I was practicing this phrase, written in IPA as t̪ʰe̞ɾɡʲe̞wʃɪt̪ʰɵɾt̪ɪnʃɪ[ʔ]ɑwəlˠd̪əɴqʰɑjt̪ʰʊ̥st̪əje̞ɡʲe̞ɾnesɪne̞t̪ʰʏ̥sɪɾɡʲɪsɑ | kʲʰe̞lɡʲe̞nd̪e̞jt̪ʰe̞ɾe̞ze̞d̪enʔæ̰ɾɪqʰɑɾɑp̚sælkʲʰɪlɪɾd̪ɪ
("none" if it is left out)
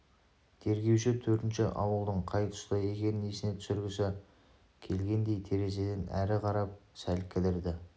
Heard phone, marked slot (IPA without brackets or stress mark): ʔ